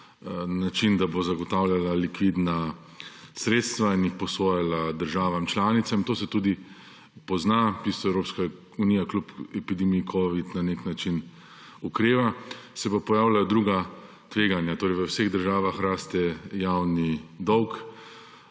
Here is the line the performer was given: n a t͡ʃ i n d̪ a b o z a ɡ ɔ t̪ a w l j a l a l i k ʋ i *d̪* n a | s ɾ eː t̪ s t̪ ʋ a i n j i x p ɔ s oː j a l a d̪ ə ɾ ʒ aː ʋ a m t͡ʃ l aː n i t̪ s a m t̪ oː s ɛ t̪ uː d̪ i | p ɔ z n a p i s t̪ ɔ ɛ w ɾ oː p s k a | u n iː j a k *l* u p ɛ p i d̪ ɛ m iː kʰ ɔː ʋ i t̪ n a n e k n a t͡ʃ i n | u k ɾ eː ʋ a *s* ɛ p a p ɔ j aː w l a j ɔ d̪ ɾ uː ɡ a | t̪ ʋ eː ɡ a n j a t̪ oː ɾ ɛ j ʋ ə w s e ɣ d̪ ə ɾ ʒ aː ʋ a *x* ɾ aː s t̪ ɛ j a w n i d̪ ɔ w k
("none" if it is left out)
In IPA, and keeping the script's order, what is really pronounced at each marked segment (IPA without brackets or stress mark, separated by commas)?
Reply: d̪, l, s, x